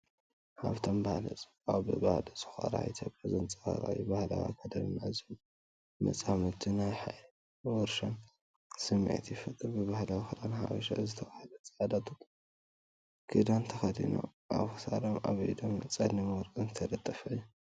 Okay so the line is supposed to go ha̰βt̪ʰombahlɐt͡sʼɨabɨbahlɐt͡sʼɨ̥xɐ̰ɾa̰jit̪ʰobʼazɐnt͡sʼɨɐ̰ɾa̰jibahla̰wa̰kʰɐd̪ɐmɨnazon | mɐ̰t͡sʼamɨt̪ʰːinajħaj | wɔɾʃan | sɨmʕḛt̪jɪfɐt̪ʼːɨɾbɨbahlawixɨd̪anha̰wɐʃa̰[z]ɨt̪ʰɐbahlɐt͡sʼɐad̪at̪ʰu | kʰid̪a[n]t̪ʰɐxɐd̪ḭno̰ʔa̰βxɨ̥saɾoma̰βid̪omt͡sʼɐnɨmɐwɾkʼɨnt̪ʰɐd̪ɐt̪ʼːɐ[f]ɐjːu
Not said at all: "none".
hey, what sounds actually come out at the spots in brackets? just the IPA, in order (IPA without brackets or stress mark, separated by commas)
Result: z, n, f